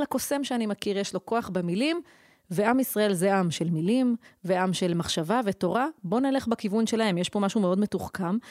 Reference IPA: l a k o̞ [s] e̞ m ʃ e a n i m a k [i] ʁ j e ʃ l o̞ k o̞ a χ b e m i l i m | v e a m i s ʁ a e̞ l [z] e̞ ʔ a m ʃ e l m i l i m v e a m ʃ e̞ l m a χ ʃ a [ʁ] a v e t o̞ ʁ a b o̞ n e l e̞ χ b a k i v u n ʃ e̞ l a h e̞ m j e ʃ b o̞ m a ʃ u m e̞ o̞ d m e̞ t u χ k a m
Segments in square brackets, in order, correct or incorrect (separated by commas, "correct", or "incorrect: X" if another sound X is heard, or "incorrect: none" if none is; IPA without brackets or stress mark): correct, correct, correct, incorrect: v